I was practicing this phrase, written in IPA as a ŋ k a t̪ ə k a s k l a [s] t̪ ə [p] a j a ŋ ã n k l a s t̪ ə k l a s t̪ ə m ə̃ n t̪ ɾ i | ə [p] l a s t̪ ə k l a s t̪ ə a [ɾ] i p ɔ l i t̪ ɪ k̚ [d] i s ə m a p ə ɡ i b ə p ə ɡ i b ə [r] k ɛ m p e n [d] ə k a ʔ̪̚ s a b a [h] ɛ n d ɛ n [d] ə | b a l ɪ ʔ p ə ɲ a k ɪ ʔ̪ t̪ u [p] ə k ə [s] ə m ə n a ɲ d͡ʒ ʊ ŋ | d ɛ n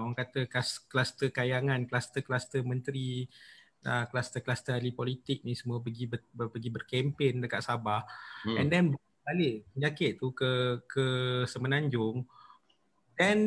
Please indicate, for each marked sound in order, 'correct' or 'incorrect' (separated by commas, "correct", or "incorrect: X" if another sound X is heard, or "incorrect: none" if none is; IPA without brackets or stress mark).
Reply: correct, incorrect: k, incorrect: k, incorrect: l, incorrect: n, correct, correct, correct, incorrect: b, incorrect: k, correct